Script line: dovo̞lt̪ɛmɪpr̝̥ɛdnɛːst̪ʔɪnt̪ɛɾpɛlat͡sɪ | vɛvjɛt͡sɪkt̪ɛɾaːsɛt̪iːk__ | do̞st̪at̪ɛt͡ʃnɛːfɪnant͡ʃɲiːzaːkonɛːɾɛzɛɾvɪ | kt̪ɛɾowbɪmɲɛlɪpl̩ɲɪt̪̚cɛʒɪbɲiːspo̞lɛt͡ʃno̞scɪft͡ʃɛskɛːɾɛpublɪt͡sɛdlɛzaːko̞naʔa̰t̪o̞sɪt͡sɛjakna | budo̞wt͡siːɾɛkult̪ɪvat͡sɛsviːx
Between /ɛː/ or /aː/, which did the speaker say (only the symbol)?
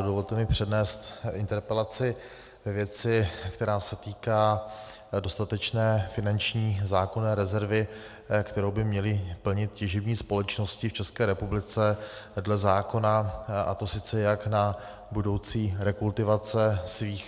aː